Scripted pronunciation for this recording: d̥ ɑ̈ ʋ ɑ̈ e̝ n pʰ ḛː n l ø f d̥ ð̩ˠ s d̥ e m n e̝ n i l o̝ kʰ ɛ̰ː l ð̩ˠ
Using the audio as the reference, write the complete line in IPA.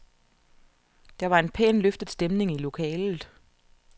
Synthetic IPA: d̥ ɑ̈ ʋ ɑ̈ e̝ n pʰ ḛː n l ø f d̥ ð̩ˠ s d̥ e m n e̝ ŋ i l o̝ kʰ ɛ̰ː l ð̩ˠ

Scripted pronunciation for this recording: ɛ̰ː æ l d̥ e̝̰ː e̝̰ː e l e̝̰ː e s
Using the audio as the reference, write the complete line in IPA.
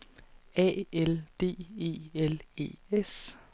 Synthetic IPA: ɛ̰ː e l d̥ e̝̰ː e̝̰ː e l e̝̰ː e s

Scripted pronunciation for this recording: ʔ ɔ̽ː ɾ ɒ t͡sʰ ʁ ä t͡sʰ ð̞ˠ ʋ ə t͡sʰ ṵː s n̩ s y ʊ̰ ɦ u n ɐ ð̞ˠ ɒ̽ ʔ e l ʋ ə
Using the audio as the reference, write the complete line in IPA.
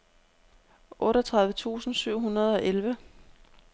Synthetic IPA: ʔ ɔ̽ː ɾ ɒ t͡sʰ ʁ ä ð̞ˠ ʋ ə t͡sʰ ṵː s n̩ s y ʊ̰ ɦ u n ɐ ð̞ˠ ɒ̽ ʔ e l ʋ ə

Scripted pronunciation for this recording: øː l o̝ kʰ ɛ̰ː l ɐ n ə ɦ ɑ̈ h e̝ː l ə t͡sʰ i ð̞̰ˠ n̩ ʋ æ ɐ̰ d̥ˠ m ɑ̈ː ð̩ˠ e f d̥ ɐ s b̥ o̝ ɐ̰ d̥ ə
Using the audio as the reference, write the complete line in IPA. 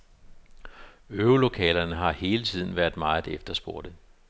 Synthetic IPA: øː l o̝ kʰ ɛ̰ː l ɐ n ə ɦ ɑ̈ h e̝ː l ə t͡sʰ i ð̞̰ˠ n̩ ʋ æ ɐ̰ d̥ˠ m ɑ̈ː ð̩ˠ e f d̥ ɐ s b̥ o̝ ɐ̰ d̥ ə

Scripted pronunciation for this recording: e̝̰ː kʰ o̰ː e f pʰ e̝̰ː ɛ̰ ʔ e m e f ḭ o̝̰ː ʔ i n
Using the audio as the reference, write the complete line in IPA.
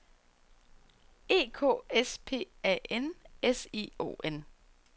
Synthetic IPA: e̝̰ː kʰ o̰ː e s pʰ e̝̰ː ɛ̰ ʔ e n e s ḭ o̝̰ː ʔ e n

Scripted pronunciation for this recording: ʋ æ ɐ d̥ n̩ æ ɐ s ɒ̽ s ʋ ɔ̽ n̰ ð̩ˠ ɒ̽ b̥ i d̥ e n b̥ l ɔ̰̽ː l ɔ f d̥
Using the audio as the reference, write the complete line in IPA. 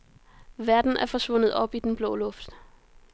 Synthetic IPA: ʋ æ ɐ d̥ n̩ æ ɐ f ɒ̽ s ʋ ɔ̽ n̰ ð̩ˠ ɒ̽ b̥ i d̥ e n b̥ l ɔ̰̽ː l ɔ f d̥

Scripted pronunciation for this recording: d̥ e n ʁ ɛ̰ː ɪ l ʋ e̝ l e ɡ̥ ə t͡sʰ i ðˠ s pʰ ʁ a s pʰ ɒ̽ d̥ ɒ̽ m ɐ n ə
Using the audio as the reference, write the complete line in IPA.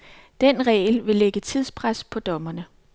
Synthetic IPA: d̥ e n ʁ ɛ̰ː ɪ l ʋ e̝ l e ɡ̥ ə t͡sʰ i ðˠ s pʰ ʁ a s pʰ ɒ̽ d̥ ɒ̽ m ɐ n ə

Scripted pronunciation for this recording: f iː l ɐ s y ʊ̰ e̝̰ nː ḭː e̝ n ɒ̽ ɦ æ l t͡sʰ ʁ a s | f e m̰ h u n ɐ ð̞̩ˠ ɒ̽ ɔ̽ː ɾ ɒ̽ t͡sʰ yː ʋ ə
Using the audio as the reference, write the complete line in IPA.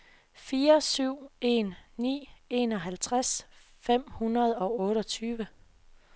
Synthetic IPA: f iː ɐ s y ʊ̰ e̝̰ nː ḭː e̝ n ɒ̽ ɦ æ l t͡sʰ ʁ a s | f e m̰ h u n ɐ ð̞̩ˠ ɒ̽ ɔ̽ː ɾ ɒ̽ t͡sʰ yː ʋ ə

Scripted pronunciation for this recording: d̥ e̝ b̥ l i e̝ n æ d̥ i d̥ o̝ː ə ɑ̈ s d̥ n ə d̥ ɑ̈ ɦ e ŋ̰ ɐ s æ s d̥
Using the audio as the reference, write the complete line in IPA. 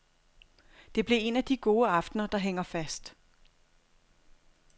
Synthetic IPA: d̥ e̝ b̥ l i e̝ n æ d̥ i ɡ̥ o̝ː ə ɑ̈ f d̥ n ɐ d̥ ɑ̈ ɦ e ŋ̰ ɐ f æ s d̥

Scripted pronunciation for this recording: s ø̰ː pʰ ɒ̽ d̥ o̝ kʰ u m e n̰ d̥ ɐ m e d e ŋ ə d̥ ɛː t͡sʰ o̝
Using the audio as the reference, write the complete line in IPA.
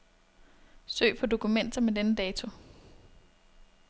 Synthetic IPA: s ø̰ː pʰ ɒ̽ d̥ o̝ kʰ u m e n̰ d̥ ɐ m e d e n ə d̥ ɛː t͡sʰ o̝

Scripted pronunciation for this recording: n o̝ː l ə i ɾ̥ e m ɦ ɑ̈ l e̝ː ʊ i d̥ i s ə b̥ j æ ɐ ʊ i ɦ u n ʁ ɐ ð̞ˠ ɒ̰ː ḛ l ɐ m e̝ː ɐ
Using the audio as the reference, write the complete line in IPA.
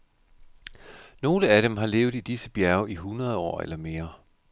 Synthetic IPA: n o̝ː l ə æ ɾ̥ e m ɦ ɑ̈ l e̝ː ʊ i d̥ i s ə b̥ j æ ɐ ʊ i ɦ u n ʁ ɐ ð̞ˠ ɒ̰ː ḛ l ɐ m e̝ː ɐ

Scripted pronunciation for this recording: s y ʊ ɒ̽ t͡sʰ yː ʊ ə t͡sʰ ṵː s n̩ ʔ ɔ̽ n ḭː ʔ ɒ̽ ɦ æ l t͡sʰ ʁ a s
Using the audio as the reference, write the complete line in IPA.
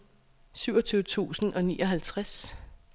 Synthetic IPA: s y ʊ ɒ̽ t͡sʰ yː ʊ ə t͡sʰ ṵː s n̩ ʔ ɒ̽ n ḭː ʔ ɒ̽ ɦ æ l t͡sʰ ʁ a s

